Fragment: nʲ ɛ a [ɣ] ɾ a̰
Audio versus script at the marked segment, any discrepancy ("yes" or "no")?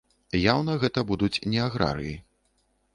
no